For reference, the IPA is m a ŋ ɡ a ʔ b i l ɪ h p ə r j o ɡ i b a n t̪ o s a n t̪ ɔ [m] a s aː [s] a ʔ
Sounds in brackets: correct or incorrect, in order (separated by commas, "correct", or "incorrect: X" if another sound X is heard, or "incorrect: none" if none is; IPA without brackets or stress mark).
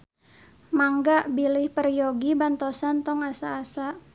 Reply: incorrect: ŋ, correct